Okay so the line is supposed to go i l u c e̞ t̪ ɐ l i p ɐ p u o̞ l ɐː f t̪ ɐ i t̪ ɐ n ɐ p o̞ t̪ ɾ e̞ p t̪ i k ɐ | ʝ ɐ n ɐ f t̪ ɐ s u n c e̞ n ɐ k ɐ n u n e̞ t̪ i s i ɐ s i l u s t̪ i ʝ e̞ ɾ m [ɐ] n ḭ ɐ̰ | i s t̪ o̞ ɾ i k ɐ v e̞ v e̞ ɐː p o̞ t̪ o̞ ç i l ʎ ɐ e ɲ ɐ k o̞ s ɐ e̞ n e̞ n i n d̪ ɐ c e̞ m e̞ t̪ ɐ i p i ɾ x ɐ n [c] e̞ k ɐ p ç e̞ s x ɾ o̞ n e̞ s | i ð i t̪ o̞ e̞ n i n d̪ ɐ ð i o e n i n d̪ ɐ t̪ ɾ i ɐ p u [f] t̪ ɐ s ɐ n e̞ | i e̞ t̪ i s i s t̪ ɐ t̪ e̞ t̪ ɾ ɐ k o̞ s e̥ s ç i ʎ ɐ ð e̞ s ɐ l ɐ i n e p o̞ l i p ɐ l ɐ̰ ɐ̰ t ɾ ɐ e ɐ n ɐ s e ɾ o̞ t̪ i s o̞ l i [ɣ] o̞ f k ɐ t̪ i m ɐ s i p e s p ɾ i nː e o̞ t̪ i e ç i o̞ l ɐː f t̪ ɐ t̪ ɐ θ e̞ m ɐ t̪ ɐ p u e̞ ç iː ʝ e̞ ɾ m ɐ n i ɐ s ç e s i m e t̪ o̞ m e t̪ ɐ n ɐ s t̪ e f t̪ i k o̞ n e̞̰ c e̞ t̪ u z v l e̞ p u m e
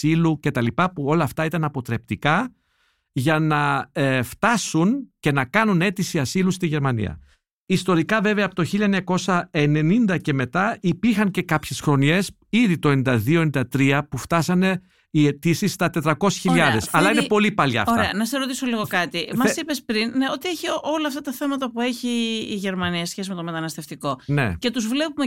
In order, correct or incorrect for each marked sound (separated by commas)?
correct, correct, correct, correct